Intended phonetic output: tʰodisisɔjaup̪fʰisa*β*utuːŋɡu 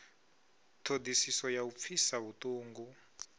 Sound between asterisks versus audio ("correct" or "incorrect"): correct